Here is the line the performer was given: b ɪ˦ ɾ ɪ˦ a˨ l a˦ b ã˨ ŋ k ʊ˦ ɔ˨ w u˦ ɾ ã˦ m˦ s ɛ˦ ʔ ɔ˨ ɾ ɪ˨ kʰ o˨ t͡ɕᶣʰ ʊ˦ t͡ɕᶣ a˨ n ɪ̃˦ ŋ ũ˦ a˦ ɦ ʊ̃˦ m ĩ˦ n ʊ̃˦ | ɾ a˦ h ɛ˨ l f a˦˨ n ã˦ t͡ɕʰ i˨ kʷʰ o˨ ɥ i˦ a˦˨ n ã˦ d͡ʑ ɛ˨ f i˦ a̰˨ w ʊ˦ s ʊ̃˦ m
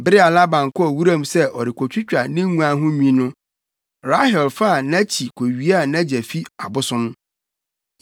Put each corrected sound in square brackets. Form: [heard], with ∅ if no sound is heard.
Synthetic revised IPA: b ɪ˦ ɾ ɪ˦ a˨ l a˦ b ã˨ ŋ k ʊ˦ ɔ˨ w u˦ ɾ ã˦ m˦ s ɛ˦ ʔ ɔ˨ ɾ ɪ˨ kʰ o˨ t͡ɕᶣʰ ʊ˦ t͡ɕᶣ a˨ n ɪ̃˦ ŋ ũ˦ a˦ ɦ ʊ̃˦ m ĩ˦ n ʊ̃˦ | ɾ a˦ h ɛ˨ l f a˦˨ n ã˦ t͡ɕʰ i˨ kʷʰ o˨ ɥ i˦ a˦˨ n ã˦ d͡ʑ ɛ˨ f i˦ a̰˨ [b] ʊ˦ s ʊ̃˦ m